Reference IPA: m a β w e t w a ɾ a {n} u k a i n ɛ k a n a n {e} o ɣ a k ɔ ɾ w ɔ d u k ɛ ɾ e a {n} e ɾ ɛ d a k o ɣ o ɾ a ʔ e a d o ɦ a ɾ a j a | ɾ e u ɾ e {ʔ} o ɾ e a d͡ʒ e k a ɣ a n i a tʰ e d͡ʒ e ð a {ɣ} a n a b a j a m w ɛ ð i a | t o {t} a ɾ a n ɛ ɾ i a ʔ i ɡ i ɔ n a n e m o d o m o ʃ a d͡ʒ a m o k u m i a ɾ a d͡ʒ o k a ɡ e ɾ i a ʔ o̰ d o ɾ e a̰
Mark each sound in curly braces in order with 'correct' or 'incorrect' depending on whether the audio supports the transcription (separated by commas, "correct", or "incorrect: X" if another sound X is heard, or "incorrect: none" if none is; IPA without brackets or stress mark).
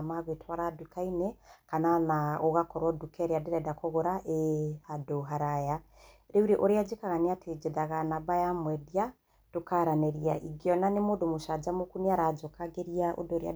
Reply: incorrect: d, incorrect: a, incorrect: d, correct, correct, incorrect: k